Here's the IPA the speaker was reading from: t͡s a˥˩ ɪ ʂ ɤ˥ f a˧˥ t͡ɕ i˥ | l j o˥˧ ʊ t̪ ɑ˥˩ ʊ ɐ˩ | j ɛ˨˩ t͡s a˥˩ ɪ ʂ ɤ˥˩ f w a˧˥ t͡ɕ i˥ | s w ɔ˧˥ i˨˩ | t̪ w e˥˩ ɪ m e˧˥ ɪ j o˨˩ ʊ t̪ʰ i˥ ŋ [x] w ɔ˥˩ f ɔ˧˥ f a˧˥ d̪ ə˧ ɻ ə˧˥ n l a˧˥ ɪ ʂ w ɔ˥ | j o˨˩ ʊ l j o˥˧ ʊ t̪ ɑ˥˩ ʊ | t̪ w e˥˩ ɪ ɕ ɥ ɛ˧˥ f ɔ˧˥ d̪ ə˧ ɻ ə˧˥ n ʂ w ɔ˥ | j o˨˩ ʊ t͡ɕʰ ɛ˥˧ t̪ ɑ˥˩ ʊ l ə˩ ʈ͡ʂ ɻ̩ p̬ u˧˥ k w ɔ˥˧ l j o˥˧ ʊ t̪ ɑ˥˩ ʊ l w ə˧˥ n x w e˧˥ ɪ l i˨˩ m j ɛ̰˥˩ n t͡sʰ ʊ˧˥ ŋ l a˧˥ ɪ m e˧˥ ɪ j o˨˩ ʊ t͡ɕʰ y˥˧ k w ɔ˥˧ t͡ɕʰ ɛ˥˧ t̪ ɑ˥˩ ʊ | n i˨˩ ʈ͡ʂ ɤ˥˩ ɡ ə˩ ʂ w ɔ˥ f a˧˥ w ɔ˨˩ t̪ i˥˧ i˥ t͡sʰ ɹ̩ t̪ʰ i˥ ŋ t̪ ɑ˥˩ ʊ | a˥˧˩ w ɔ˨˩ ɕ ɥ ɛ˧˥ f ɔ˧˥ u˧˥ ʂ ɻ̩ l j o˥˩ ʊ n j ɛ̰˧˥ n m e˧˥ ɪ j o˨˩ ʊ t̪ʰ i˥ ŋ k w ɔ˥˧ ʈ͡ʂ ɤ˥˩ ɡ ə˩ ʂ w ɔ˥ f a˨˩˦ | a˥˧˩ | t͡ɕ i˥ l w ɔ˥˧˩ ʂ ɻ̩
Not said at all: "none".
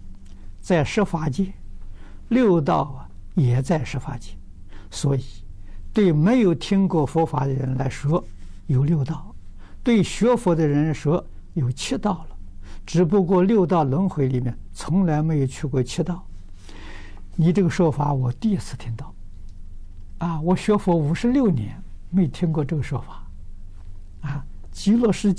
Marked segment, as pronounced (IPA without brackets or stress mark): k